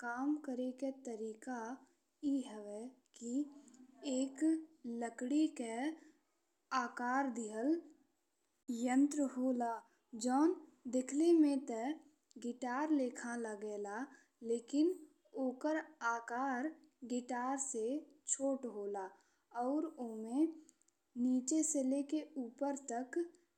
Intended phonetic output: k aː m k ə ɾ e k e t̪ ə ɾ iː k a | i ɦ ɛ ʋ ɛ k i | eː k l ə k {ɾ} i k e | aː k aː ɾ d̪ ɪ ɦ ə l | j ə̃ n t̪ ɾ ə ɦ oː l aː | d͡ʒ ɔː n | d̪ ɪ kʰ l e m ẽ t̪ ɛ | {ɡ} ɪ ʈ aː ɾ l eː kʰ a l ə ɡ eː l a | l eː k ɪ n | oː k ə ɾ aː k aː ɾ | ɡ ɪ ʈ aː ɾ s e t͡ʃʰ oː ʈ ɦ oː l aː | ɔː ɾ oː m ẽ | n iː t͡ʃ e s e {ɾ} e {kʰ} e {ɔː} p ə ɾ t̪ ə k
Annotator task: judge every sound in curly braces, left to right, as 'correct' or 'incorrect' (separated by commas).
incorrect, correct, incorrect, incorrect, incorrect